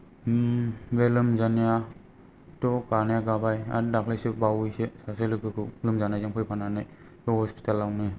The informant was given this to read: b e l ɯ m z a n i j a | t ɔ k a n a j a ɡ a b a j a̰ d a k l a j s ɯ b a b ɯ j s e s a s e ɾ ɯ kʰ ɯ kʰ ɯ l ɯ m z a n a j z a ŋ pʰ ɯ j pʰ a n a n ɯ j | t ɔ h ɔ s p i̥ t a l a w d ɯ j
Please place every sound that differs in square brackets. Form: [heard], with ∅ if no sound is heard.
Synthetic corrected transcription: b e l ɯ m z a n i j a | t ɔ k a n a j a ɡ a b a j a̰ d a k l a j s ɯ b a [w] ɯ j s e s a s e [l] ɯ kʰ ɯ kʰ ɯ l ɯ m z a n a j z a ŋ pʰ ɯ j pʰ a n a n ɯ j | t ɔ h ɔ s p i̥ t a l a w [n] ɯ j